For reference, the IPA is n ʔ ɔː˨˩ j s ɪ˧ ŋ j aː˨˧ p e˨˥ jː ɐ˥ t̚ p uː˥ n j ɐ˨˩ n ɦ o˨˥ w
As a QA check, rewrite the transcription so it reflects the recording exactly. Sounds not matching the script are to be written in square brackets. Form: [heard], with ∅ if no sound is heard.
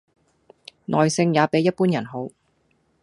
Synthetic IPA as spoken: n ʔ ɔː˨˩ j s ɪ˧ ŋ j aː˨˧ p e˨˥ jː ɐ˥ t̚ p uː˥ n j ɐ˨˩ n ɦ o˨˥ w